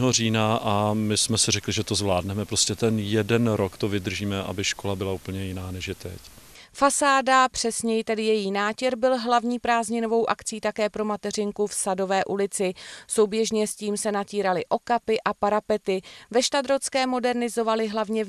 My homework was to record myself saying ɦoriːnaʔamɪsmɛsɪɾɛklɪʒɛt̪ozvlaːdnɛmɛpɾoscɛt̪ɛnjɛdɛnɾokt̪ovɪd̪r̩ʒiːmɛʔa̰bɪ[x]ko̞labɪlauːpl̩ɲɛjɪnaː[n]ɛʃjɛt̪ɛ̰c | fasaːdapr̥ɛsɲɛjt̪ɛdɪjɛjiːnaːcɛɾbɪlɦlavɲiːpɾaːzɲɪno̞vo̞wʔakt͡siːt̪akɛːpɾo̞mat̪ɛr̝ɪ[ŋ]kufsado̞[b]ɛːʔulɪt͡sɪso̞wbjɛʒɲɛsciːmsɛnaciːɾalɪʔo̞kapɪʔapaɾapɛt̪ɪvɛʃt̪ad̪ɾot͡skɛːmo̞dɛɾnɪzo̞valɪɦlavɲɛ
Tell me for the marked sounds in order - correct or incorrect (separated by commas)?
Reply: incorrect, correct, correct, incorrect